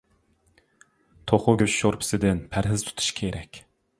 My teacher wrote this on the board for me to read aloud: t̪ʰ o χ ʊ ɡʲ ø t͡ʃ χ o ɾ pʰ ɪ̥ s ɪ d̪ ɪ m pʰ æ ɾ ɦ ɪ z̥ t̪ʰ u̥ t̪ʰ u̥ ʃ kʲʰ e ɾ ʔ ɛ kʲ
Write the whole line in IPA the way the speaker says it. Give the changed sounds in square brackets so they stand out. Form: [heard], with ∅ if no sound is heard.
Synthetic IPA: t̪ʰ o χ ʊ ɡʲ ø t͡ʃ [ʃ] o ɾ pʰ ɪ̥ s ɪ d̪ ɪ [n] pʰ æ ɾ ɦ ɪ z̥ t̪ʰ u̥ t̪ʰ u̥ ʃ kʲʰ e ɾ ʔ ɛ kʲ